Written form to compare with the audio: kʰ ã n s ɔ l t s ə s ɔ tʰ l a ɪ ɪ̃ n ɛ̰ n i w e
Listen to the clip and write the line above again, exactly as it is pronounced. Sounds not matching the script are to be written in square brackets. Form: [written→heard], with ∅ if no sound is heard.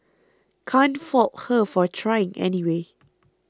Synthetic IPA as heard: kʰ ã n [s→f] ɔ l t [s→h] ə [s→f] ɔ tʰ [l→ɹ] a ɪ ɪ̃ [n→ŋ] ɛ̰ n i w e